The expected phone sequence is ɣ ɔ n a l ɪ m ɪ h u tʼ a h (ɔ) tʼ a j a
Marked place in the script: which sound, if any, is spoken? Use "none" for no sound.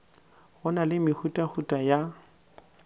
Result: u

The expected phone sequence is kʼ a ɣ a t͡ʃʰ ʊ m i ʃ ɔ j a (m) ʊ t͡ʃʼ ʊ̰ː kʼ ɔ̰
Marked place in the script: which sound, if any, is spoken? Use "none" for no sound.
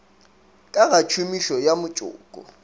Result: m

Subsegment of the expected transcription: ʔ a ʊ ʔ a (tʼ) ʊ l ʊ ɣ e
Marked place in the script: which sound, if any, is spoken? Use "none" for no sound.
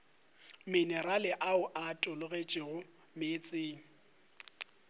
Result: tʼ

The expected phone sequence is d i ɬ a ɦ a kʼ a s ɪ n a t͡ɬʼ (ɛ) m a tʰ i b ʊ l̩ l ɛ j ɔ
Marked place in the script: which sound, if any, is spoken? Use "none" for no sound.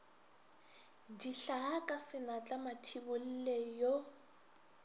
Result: a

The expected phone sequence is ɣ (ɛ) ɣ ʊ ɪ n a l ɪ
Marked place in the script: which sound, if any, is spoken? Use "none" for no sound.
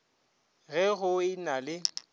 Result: ɛ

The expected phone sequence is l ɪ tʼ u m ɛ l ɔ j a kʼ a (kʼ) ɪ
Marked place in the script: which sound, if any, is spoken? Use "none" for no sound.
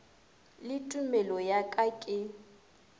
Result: kʼ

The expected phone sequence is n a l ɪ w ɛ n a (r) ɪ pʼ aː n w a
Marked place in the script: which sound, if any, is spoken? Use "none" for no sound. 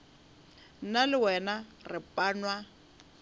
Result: r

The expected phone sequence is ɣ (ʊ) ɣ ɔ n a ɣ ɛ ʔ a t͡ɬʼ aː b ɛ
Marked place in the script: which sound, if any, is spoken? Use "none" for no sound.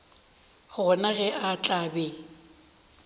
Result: ʊ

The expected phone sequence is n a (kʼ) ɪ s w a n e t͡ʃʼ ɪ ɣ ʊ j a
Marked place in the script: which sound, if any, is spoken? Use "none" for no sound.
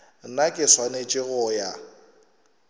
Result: kʼ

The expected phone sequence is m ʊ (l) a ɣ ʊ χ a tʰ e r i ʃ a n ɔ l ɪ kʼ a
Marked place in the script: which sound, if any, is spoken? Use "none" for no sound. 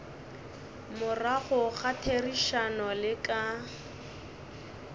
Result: r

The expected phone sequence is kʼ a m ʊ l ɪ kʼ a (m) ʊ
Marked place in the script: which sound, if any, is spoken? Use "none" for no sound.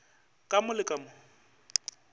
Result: m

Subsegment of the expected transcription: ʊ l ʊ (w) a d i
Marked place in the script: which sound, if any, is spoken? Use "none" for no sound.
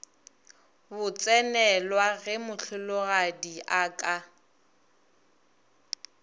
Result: ɣ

